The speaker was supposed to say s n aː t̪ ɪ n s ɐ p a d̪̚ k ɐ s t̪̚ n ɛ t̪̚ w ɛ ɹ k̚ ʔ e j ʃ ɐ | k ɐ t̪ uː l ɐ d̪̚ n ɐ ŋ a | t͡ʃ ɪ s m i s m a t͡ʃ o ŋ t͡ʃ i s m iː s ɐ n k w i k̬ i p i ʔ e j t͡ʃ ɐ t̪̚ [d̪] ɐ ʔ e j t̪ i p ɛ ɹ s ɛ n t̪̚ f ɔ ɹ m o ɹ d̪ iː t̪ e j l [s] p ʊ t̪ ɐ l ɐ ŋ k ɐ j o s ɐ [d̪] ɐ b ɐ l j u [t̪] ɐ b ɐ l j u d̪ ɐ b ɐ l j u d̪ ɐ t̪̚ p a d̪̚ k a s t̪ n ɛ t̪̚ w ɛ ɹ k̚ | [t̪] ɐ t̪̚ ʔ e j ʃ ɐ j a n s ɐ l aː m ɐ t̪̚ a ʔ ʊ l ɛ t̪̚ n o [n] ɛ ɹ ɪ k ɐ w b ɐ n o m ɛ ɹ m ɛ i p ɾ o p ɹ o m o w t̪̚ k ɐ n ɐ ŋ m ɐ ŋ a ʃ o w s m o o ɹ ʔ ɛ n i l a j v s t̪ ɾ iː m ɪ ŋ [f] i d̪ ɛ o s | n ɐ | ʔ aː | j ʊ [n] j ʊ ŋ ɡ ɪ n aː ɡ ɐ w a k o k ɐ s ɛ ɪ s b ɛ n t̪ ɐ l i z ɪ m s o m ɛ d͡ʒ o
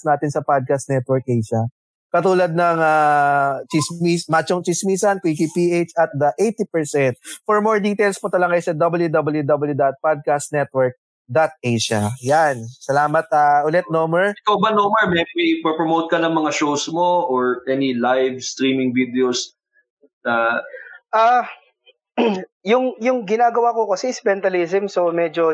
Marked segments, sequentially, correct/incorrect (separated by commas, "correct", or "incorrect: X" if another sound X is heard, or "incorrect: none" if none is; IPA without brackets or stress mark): correct, correct, correct, incorrect: d̪, incorrect: d̪, incorrect: m, incorrect: v, incorrect: ŋ